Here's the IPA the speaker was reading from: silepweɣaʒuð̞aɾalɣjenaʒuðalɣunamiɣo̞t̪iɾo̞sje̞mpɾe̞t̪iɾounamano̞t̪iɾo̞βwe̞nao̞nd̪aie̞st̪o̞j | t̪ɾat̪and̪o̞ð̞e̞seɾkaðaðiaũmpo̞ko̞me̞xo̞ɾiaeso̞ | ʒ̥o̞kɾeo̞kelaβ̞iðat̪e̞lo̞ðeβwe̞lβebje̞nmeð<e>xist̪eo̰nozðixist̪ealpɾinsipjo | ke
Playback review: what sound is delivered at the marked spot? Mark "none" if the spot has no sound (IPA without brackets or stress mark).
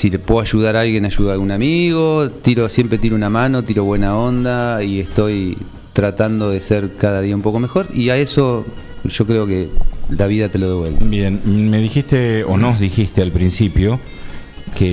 i